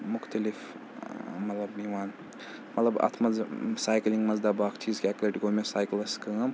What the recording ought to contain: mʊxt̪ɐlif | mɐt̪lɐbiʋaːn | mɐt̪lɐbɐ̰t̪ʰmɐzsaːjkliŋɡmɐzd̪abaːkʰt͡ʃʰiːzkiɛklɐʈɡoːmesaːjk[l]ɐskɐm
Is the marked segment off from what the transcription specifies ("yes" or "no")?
no